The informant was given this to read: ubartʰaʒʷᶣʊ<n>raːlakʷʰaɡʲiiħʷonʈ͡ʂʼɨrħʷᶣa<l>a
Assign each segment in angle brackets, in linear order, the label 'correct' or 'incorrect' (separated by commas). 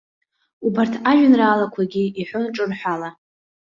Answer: correct, correct